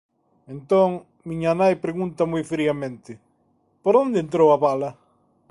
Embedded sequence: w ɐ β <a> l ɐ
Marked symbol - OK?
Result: yes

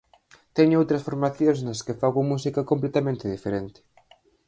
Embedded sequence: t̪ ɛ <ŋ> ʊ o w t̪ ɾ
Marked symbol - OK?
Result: no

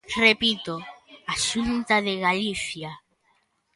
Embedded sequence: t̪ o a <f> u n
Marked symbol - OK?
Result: no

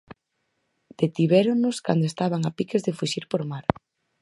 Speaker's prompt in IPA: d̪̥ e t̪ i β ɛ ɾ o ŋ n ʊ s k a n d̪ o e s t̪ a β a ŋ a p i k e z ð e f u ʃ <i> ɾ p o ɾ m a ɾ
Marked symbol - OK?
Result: yes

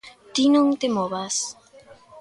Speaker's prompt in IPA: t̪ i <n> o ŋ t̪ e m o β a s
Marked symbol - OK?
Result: yes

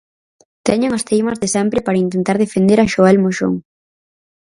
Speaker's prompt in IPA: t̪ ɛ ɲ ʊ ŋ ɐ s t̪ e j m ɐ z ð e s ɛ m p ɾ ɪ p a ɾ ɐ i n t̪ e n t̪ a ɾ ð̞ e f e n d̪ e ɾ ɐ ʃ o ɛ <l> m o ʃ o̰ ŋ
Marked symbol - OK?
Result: yes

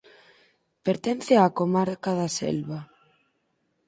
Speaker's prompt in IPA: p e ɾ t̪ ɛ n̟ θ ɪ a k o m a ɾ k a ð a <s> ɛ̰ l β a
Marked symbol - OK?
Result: yes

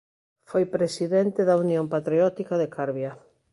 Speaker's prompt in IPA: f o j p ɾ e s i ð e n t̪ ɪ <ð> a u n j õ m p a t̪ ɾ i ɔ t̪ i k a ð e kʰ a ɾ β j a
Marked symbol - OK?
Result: yes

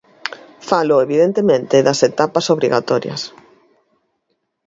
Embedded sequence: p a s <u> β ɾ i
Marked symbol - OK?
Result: no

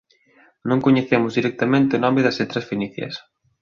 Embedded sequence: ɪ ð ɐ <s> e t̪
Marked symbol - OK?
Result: yes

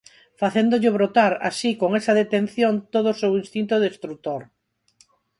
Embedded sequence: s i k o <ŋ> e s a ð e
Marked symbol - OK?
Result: yes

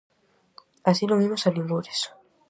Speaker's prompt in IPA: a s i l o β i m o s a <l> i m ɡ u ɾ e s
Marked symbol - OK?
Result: yes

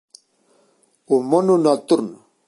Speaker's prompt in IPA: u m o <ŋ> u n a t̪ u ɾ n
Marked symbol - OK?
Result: no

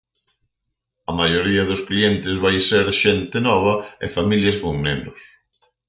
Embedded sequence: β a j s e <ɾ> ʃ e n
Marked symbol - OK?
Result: yes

